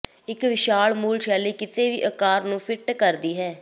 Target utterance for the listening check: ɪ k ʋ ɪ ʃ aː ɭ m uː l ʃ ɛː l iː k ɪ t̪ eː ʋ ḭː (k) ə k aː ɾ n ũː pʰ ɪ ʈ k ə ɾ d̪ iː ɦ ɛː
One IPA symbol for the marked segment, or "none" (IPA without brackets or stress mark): ʔ